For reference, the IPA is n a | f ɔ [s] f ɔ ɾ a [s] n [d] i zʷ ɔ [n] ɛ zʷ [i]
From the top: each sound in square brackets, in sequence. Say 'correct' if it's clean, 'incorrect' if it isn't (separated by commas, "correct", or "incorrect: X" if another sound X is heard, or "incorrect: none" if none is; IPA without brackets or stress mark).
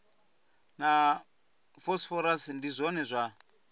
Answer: correct, correct, correct, correct, incorrect: a